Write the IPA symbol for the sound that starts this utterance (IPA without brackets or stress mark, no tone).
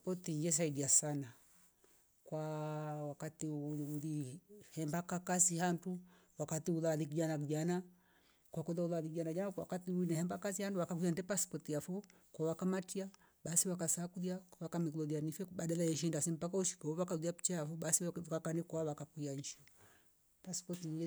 p